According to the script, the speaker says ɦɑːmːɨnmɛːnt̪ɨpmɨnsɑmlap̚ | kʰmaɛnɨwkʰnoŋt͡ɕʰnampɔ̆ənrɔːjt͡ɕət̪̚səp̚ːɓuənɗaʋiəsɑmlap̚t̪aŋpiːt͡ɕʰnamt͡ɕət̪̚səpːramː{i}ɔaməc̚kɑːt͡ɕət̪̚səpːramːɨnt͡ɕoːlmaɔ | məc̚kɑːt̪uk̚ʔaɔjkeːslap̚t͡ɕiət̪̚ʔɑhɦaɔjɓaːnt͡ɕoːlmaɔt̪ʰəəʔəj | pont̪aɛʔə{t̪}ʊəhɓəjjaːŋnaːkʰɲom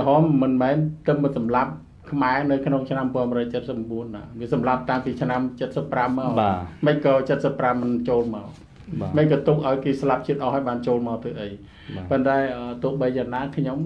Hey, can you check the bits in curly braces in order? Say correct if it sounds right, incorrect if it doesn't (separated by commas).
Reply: incorrect, correct